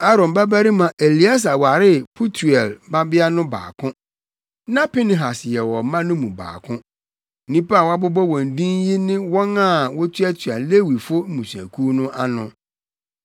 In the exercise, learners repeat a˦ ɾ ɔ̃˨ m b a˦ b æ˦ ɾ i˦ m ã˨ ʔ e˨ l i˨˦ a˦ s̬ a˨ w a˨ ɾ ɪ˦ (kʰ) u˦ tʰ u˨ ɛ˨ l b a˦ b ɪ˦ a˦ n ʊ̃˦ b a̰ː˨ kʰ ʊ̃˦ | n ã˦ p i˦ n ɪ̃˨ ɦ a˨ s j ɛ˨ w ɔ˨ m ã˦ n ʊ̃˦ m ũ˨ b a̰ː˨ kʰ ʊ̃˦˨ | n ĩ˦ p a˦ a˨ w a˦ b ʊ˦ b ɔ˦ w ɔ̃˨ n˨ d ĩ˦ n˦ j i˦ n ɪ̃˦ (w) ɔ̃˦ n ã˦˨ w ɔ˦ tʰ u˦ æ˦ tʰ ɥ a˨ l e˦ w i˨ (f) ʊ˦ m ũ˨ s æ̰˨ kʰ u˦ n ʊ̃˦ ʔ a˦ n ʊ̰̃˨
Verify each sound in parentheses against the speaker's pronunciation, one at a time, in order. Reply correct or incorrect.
incorrect: pʰ, correct, correct

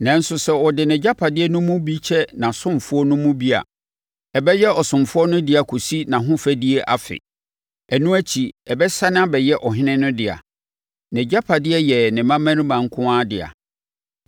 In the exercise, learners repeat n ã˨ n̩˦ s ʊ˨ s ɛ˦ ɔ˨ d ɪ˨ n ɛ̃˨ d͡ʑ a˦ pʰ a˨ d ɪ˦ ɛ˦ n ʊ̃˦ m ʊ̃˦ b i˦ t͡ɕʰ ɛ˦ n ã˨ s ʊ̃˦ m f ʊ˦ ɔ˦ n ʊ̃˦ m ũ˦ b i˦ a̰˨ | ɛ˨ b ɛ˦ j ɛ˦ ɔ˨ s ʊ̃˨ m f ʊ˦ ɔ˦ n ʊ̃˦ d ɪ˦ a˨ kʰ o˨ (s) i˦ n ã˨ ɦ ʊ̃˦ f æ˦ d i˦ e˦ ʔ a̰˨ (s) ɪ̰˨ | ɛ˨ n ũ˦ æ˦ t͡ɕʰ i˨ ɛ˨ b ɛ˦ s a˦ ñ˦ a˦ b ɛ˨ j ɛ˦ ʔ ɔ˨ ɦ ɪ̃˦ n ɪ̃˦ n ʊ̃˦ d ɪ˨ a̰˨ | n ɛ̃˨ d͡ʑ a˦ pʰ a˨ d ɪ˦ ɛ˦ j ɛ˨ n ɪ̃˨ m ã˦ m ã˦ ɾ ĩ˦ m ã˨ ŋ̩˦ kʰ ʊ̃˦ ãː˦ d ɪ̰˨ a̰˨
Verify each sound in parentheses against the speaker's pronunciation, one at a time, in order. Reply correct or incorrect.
correct, incorrect: f

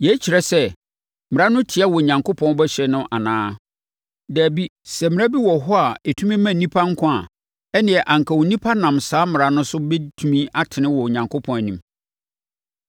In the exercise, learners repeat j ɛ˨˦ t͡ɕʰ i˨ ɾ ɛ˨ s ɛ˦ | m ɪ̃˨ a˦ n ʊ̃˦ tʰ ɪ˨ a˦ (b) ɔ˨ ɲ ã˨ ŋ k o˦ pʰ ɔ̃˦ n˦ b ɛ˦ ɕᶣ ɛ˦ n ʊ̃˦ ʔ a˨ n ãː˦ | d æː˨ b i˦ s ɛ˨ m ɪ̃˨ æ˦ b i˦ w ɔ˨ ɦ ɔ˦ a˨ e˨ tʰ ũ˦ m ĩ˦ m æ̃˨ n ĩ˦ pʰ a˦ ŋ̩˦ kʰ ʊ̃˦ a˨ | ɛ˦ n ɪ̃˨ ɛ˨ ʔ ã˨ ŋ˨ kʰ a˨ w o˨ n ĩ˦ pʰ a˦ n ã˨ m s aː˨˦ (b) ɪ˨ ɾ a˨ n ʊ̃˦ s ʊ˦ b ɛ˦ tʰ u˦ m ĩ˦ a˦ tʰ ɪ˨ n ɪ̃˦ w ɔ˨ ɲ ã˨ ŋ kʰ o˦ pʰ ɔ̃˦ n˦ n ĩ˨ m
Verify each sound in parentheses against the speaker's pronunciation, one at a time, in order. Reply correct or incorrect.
incorrect: w, incorrect: m

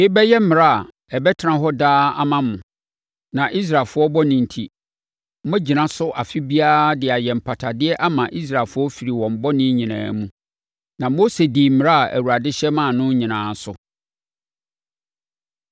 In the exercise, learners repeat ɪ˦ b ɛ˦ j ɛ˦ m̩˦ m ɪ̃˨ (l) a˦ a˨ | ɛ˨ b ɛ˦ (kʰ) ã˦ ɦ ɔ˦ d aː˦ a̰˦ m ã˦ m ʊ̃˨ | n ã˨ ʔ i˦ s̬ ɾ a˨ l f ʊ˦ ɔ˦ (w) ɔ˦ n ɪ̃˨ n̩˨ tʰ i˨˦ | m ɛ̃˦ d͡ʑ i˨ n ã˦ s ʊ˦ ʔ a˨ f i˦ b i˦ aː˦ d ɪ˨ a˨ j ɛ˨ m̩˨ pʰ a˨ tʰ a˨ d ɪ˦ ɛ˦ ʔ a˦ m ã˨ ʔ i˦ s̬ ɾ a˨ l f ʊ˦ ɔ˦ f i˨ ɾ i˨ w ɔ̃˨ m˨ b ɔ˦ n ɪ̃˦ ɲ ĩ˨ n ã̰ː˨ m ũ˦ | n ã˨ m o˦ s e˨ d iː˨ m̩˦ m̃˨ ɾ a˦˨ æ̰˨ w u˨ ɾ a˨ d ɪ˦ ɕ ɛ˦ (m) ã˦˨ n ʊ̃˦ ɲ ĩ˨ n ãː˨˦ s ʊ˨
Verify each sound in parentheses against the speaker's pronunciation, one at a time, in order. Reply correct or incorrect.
incorrect: ɾ, incorrect: tʰ, incorrect: b, correct

